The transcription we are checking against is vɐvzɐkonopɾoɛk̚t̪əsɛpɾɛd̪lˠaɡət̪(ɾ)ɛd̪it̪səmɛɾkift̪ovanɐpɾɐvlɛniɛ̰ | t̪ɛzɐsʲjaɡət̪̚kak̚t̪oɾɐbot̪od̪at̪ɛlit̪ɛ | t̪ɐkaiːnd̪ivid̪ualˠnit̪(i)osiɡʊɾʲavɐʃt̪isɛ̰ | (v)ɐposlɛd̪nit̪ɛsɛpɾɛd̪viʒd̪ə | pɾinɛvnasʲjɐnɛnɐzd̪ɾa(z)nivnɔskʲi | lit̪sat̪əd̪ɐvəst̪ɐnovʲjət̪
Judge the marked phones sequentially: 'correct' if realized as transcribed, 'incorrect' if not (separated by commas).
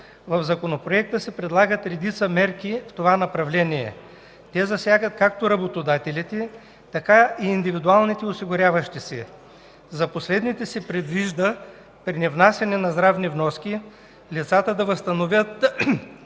correct, incorrect, incorrect, incorrect